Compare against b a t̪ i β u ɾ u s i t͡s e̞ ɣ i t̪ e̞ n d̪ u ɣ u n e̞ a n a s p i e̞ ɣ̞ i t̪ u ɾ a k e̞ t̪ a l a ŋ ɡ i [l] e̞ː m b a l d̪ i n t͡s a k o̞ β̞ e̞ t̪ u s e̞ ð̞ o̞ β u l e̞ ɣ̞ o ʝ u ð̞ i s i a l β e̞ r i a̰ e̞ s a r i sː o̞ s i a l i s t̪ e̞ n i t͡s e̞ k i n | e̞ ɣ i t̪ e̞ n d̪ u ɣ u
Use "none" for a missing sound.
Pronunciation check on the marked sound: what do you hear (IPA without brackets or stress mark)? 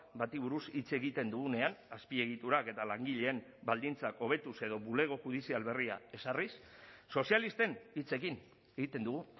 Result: ʎ